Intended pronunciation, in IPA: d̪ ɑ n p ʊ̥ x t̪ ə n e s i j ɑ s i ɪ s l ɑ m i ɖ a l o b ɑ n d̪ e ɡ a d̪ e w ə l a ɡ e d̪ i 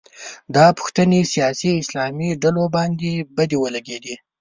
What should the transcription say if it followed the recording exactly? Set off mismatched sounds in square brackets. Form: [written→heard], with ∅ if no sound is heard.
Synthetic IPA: d̪ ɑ [n→∅] p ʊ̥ x t̪ ə n e s i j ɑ s i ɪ s l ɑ m i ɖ a l o b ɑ n d̪ e [ɡ→b] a d̪ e w ə l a ɡ e d̪ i